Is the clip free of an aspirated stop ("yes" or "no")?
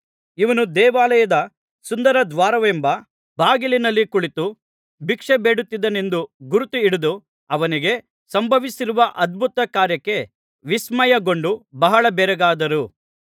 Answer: yes